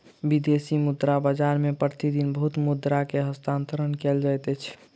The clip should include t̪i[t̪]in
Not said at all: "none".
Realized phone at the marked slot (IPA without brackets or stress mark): d̪